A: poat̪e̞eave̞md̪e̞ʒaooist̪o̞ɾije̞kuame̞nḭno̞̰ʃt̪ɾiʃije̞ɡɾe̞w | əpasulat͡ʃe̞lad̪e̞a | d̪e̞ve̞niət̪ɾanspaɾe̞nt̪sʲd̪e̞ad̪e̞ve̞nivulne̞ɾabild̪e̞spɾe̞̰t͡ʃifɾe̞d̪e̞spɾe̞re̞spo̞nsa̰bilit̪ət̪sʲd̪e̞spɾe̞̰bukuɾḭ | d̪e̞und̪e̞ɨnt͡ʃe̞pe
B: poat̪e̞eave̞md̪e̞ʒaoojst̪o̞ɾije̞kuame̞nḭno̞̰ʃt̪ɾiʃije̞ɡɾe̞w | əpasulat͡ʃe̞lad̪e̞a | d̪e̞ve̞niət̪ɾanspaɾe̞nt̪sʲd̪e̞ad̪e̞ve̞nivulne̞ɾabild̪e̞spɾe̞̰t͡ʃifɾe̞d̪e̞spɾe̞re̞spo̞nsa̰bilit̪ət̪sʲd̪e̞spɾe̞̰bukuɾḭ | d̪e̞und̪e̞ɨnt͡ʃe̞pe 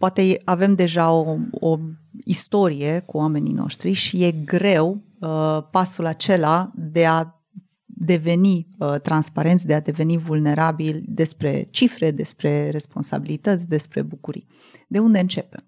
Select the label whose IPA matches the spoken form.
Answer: A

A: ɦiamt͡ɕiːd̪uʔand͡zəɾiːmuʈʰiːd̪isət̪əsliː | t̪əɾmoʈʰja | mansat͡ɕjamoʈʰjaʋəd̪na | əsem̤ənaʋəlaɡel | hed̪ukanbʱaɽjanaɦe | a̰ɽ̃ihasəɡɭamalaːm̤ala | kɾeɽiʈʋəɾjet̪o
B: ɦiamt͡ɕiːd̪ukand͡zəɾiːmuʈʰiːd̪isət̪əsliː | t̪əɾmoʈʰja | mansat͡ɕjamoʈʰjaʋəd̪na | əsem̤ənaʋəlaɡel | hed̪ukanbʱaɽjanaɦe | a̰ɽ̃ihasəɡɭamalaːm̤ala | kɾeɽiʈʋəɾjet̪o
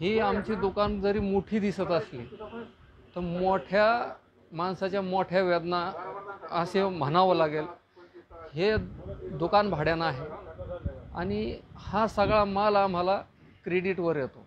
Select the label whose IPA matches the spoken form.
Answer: B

